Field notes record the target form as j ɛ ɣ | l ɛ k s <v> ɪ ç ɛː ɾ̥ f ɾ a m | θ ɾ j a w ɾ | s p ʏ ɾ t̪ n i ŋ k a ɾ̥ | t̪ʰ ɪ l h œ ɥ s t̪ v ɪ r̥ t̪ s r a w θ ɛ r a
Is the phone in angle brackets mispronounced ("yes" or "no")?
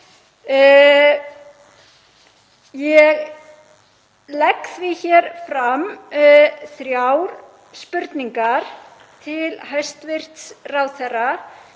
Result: no